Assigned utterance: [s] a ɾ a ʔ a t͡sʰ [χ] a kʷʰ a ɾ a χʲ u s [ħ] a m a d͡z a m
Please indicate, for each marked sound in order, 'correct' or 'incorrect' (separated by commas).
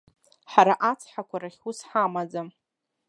incorrect, incorrect, correct